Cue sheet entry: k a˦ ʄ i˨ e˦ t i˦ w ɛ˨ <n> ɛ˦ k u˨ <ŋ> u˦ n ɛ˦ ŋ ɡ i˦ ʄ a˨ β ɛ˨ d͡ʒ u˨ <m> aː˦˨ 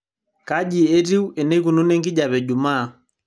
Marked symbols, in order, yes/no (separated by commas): yes, no, yes